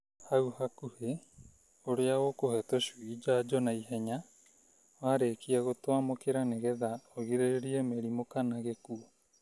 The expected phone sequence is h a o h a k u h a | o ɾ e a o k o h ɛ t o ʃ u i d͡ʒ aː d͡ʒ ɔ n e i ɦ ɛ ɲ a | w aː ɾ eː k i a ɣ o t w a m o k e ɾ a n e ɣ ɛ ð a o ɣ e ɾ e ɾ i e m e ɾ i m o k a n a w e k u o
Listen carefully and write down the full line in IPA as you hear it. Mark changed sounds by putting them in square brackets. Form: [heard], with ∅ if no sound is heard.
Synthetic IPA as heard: h a [u] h a k u h [e] | o ɾ e a o k o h ɛ t o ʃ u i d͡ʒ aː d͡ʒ ɔ n [a] i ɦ ɛ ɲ a | w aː ɾ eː k i a ɣ o t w a m o k e ɾ a n e ɣ ɛ ð a o ɣ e ɾ e ɾ i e m e ɾ i m o k a n a [ɣ] e k u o